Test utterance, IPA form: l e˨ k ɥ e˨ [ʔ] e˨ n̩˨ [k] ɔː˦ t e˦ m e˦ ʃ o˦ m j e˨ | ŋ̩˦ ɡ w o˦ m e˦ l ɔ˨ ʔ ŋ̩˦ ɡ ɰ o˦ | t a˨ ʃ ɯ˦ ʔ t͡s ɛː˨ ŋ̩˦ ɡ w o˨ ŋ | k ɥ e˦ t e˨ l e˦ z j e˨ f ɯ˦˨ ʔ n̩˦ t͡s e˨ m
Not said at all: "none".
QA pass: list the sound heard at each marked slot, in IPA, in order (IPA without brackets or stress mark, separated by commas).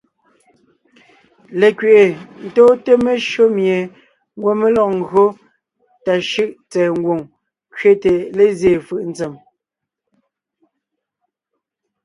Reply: ʔ, t